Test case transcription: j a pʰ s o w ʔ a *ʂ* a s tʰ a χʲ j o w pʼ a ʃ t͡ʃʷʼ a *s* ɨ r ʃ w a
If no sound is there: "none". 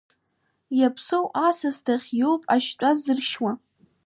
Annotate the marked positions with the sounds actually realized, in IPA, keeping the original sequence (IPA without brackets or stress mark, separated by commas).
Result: s, z